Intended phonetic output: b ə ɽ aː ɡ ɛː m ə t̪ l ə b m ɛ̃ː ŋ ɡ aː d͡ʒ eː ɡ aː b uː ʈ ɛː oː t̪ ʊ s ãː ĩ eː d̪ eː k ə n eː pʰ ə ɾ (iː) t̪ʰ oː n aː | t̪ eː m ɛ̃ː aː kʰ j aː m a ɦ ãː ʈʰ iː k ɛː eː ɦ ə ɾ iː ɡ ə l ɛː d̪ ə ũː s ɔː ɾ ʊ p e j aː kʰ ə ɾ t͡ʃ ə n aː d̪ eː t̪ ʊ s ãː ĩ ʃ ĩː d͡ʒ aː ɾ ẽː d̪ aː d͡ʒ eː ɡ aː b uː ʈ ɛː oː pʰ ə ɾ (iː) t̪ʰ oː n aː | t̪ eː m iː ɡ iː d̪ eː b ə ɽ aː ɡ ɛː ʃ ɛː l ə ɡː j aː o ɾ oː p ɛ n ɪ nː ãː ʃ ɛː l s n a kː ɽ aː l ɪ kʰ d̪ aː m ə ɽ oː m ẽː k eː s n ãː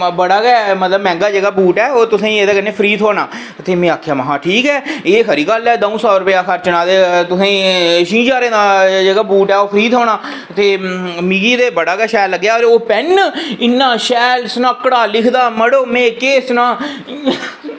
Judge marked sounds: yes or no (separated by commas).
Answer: yes, yes